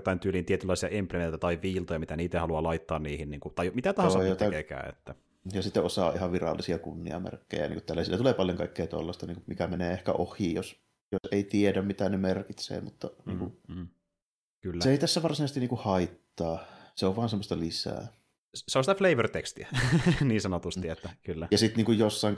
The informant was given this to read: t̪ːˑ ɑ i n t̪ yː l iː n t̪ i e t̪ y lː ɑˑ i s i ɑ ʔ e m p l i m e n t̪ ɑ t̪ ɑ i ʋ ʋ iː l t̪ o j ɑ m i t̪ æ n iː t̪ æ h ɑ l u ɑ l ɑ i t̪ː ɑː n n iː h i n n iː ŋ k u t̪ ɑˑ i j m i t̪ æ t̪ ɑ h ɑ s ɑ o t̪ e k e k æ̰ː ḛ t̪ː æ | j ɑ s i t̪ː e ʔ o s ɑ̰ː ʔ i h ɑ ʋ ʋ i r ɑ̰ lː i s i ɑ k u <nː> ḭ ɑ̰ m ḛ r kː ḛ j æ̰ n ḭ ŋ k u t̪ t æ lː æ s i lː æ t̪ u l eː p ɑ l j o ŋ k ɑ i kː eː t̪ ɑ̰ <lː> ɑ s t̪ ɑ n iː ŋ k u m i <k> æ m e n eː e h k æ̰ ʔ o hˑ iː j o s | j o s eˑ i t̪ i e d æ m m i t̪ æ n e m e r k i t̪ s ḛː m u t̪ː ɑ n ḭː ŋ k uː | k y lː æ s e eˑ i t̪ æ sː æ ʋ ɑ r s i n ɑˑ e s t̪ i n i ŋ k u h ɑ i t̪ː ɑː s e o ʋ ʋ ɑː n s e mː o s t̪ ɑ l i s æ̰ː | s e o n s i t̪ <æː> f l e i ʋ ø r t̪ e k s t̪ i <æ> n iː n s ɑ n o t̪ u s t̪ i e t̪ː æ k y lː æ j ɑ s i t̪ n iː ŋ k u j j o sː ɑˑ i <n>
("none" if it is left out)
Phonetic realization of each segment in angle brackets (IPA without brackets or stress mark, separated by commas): nː, lː, k, æ, æ, ŋ